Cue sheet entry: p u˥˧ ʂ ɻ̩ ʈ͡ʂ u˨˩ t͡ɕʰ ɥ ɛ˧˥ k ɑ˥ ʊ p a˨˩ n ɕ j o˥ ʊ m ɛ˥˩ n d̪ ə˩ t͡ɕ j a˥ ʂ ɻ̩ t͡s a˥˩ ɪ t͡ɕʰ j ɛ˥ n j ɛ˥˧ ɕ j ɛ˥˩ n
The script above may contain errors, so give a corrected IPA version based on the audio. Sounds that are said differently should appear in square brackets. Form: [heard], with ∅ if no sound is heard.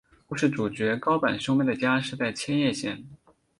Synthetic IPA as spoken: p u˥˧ ʂ ɻ̩ ʈ͡ʂ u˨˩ [t͡ɕ] ɥ ɛ˧˥ k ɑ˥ ʊ p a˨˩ n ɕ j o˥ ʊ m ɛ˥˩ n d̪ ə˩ t͡ɕ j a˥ ʂ ɻ̩ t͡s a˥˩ ɪ t͡ɕʰ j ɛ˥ n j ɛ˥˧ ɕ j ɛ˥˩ n

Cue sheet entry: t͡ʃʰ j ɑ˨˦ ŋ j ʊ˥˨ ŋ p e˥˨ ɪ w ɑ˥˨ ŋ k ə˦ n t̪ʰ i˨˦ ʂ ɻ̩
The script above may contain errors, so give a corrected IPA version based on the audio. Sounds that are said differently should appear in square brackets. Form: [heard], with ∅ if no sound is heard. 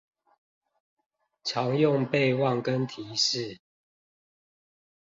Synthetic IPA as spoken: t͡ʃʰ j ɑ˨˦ ŋ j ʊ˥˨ ŋ p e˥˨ ɪ w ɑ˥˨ ŋ k ə˦ n t̪ʰ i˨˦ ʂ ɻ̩

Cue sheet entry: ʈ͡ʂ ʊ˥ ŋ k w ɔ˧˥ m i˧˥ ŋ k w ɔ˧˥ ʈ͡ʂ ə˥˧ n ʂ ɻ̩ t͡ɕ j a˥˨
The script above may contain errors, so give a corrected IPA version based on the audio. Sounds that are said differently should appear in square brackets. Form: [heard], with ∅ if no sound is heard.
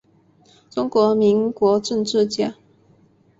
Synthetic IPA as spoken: ʈ͡ʂ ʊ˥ ŋ k w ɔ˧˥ m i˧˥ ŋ k w ɔ˧˥ ʈ͡ʂ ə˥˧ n [ʈ͡ʂ] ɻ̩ t͡ɕ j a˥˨

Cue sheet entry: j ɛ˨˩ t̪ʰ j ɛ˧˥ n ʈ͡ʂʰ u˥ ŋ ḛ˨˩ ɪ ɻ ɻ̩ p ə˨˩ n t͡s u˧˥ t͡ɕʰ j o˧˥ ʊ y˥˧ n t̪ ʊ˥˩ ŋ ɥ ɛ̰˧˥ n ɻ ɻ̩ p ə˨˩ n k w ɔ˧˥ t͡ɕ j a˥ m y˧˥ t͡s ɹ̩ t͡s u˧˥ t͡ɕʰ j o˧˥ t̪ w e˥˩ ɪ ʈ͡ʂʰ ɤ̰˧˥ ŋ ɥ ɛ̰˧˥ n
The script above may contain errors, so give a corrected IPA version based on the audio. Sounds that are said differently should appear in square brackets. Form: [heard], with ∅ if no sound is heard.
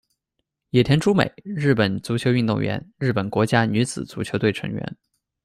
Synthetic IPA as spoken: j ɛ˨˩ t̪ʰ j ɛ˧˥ n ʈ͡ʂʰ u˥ [m] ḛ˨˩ ɪ ɻ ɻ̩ p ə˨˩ n t͡s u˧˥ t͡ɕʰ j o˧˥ ʊ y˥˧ n t̪ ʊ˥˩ ŋ ɥ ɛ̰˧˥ n ɻ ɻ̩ p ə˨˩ n k w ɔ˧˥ t͡ɕ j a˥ [n] y˧˥ t͡s ɹ̩ t͡s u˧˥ t͡ɕʰ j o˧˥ t̪ w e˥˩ ɪ ʈ͡ʂʰ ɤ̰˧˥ ŋ ɥ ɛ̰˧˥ n

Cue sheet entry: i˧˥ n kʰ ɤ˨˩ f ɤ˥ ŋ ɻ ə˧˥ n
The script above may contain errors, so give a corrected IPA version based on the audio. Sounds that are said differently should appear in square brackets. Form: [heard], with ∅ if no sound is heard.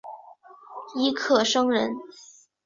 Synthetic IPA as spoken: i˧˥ [∅] kʰ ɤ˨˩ [ʂ] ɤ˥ ŋ ɻ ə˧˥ n

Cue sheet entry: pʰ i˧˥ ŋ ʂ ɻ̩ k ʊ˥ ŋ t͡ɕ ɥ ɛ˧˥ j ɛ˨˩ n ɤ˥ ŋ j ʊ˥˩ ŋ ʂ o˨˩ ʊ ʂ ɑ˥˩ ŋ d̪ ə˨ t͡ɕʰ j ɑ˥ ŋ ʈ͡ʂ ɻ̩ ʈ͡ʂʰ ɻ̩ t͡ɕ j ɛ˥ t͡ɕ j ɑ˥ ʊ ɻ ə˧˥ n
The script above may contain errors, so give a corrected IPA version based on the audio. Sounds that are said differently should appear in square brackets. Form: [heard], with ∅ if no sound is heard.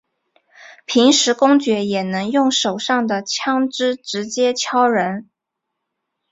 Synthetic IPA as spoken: pʰ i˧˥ ŋ ʂ ɻ̩ k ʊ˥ ŋ t͡ɕ ɥ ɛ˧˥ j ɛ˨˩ n [ɤ˧˥] ŋ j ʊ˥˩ ŋ ʂ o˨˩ ʊ ʂ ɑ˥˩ ŋ d̪ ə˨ t͡ɕʰ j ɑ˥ ŋ ʈ͡ʂ ɻ̩ [ʈ͡ʂ] ɻ̩ t͡ɕ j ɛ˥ [t͡ɕʰ] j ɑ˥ ʊ ɻ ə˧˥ n

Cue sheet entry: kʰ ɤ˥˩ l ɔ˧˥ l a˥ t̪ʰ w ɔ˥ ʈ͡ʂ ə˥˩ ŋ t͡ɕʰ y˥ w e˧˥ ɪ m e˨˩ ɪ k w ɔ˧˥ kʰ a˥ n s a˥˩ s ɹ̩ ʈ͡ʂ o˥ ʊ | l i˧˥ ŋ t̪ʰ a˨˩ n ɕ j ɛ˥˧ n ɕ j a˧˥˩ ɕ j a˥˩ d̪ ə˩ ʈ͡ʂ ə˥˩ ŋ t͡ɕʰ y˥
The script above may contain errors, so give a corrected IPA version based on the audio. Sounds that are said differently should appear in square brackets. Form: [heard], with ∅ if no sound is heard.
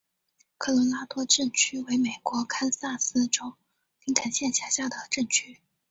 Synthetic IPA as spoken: kʰ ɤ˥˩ l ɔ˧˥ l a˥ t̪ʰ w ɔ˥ ʈ͡ʂ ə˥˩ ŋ t͡ɕʰ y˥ w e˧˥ ɪ m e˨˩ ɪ k w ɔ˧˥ kʰ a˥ n s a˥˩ s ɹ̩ ʈ͡ʂ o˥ ʊ | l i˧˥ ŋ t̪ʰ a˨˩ n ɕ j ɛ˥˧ n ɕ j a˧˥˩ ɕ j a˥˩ d̪ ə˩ ʈ͡ʂ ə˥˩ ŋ t͡ɕʰ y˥

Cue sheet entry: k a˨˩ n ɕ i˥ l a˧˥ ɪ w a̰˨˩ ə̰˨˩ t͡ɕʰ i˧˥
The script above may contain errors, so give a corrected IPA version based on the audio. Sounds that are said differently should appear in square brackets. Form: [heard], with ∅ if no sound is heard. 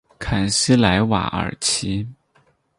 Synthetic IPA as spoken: [kʰ] a˨˩ n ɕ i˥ l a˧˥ ɪ w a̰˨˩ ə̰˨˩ t͡ɕʰ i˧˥

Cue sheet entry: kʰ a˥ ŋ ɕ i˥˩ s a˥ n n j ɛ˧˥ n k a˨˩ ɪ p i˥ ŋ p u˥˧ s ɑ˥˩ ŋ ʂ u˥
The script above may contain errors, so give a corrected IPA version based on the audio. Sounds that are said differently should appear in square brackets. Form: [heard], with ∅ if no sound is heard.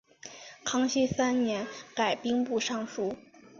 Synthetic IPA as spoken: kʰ [ɑ˥] ŋ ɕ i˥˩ s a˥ n n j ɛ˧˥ n k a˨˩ ɪ p i˥ ŋ p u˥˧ [ʂ] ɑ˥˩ ŋ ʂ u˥

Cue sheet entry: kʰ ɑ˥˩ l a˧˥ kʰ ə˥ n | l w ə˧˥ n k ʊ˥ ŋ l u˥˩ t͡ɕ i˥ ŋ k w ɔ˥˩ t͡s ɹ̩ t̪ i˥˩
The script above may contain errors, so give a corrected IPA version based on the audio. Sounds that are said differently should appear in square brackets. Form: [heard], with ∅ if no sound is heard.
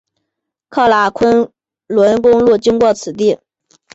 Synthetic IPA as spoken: kʰ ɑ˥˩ l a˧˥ kʰ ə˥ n | l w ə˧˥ n k ʊ˥ ŋ l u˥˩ t͡ɕ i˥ ŋ k w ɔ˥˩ [t͡sʰ] ɹ̩ t̪ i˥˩

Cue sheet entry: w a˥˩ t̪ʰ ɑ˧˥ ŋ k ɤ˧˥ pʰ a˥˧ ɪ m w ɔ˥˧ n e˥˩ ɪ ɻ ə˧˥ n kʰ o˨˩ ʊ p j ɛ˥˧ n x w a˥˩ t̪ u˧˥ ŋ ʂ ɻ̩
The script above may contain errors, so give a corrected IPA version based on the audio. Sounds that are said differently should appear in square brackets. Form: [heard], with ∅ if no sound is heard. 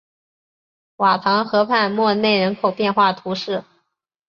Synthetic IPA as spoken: w [a˨˩] t̪ʰ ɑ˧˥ ŋ [x] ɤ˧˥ pʰ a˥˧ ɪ m w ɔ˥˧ n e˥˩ ɪ ɻ ə˧˥ n kʰ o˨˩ ʊ p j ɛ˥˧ n x w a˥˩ [t̪ʰ] u˧˥ [∅] ʂ ɻ̩

